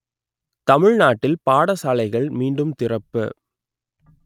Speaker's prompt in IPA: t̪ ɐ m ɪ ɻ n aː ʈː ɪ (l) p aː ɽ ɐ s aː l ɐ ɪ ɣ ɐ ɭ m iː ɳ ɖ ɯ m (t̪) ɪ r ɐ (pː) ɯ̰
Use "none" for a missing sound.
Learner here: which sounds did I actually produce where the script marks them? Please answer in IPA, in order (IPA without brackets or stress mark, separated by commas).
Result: l, t̪, pː